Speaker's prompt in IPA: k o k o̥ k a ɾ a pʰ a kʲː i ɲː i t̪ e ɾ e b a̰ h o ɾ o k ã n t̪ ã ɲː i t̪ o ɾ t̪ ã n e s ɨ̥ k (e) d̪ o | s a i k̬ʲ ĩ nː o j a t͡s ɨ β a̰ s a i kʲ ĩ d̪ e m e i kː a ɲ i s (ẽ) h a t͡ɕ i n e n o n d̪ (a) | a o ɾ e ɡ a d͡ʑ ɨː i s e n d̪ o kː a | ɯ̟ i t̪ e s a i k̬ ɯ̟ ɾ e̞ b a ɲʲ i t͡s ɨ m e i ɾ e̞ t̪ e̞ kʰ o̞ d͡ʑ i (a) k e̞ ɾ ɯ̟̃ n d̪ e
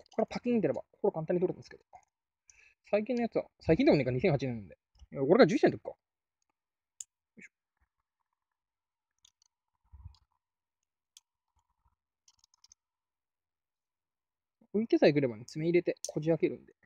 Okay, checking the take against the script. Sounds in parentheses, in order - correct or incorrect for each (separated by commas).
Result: correct, correct, incorrect, correct